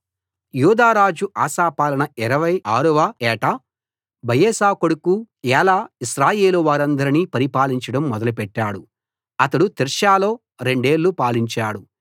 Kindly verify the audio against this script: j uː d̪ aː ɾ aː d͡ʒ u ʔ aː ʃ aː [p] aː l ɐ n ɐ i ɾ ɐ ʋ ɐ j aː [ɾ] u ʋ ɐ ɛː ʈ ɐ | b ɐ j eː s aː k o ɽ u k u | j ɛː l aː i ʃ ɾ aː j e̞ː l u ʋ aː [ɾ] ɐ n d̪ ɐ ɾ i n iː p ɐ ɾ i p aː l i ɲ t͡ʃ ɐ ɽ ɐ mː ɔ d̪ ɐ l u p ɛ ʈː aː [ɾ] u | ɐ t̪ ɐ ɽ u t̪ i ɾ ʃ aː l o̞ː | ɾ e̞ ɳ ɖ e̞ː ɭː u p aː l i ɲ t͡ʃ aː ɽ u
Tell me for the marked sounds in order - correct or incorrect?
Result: correct, correct, correct, incorrect: ɽ

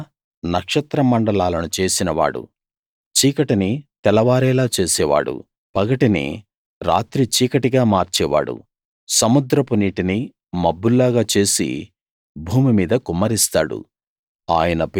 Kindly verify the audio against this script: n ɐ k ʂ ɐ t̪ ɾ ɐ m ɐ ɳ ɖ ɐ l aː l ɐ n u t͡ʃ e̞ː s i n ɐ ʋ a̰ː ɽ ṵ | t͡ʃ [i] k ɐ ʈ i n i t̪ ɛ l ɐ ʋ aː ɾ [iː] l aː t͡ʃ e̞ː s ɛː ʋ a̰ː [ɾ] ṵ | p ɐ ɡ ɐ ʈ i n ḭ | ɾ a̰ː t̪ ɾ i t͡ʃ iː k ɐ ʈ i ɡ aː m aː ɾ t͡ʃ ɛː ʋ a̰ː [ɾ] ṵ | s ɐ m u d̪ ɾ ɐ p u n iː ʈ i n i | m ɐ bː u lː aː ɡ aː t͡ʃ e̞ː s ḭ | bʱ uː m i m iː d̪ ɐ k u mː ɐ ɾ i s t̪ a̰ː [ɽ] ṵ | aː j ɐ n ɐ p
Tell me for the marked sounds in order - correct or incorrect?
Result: incorrect: iː, incorrect: ɛː, incorrect: ɽ, incorrect: ɽ, correct

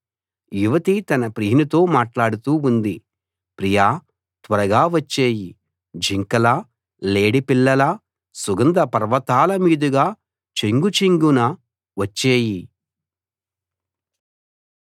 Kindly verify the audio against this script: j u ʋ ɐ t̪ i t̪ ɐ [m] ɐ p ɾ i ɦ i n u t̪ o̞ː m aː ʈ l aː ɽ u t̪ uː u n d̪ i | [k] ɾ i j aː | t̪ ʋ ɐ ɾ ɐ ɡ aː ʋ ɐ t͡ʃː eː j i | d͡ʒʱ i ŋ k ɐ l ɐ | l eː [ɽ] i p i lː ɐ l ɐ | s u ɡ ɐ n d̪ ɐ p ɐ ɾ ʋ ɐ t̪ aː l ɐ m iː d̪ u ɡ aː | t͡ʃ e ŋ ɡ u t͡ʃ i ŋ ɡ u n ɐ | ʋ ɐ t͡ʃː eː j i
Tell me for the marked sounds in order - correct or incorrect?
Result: incorrect: n, incorrect: p, correct

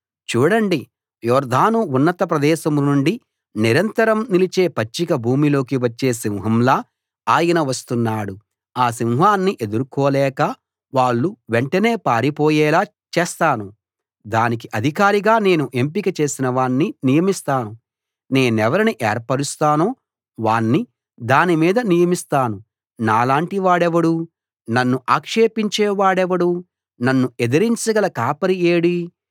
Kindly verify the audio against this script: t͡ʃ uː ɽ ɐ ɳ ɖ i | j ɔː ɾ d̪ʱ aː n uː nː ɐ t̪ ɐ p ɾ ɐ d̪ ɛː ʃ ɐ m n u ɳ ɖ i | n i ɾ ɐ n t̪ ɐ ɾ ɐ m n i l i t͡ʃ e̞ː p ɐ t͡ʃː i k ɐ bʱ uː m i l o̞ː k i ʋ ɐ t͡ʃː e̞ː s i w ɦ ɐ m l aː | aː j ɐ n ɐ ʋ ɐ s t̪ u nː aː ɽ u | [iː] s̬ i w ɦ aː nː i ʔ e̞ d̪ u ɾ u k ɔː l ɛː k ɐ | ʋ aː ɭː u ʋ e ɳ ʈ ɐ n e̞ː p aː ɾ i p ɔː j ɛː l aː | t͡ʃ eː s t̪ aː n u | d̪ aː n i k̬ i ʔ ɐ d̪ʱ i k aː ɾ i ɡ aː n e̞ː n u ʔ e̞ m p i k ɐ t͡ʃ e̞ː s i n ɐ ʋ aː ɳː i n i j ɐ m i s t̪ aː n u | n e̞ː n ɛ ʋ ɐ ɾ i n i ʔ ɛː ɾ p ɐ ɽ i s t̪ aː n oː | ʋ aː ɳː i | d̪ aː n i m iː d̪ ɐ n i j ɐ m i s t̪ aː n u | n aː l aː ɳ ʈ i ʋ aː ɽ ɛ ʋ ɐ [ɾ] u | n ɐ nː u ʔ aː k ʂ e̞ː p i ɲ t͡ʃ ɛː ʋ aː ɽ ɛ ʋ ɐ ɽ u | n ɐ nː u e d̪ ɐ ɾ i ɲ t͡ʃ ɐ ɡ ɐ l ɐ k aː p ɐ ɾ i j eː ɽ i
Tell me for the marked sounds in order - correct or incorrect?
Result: incorrect: aː, incorrect: ɽ

